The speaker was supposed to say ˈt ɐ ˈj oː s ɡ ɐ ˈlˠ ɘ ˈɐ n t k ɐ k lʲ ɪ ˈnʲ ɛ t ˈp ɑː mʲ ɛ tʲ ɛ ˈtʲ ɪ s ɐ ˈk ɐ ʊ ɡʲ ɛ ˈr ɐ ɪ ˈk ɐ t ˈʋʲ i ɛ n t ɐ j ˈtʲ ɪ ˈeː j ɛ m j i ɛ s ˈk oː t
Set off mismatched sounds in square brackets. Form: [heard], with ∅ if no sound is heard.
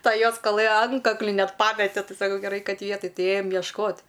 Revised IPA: ˈt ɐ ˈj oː s [k] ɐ ˈlˠ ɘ ˈɐ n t k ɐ k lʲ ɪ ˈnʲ ɛ t ˈp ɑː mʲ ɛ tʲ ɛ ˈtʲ ɪ s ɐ ˈk ɐ ʊ ɡʲ ɛ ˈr ɐ ɪ ˈk ɐ t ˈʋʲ i ɛ [∅] t ɐ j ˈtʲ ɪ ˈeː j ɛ m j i ɛ [ʃ] ˈk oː t

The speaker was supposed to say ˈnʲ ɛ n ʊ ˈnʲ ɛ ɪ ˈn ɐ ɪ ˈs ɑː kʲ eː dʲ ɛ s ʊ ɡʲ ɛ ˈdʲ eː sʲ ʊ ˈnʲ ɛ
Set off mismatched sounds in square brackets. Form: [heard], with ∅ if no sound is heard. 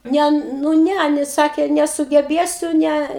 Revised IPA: ˈnʲ ɛ n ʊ ˈnʲ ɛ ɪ ˈn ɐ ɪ ˈs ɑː kʲ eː [nʲ] ɛ s ʊ ɡʲ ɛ [ˈbʲ] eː sʲ ʊ ˈnʲ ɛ

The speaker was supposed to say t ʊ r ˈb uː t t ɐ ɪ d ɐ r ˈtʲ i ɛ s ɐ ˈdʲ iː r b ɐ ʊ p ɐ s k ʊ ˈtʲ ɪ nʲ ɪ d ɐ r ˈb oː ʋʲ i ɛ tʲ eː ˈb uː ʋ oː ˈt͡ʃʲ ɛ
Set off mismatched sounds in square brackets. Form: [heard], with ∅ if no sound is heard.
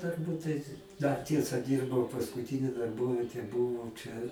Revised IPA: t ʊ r ˈb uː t t ɐ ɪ d ɐ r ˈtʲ i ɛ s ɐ ˈdʲ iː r b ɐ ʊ p ɐ s k ʊ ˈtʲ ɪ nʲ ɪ d ɐ r ˈb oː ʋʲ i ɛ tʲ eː ˈb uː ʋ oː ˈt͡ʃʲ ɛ

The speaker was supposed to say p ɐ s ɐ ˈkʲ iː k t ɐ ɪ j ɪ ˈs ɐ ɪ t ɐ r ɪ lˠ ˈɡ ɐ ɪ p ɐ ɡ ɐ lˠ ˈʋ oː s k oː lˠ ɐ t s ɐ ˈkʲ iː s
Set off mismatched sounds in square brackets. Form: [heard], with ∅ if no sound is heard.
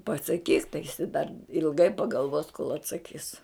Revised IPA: p ɐ s ɐ ˈkʲ iː k t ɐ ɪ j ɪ ˈs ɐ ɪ [d] ɐ r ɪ lˠ ˈɡ ɐ ɪ p ɐ ɡ ɐ lˠ ˈʋ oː s k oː lˠ ɐ t s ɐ ˈkʲ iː s

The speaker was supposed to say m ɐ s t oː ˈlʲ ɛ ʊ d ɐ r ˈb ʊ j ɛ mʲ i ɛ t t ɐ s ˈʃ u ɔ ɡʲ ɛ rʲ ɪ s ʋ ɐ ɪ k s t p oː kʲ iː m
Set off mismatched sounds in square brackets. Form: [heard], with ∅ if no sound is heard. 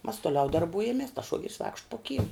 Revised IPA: m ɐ s t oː ˈlʲ ɛ ʊ d ɐ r ˈb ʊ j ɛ mʲ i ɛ [s] t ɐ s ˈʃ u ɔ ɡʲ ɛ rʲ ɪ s ʋ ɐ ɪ k [ʃ] t p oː kʲ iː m

